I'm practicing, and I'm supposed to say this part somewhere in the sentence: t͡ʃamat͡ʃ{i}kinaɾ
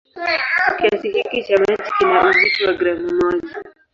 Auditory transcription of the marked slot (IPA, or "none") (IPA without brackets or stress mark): i